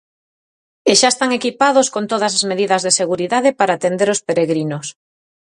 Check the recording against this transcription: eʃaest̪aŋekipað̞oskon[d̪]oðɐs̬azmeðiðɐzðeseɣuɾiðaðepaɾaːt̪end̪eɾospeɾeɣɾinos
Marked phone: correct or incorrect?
incorrect